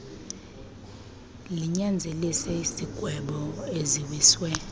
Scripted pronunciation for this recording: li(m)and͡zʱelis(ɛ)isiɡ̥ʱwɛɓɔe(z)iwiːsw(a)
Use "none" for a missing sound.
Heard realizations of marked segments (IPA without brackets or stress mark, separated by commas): ɲ, ɛ, z, ɛ